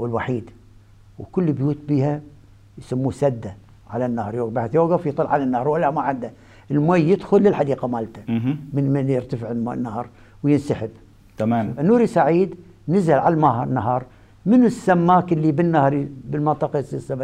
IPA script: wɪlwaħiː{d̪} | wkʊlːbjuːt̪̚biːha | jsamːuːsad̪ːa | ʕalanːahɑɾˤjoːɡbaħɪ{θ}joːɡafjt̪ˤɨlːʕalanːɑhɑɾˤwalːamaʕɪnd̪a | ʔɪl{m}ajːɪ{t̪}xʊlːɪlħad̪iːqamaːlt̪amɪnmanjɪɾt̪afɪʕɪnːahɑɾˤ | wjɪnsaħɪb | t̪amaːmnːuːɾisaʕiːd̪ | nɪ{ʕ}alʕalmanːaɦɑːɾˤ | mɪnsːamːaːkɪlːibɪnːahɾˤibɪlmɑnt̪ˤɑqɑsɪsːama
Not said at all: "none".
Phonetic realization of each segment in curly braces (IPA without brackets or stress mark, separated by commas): d̪, θ, m, d̪, z